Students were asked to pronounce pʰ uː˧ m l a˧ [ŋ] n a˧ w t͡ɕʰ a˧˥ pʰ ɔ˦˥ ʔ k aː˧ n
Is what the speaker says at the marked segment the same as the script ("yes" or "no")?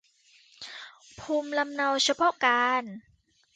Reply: no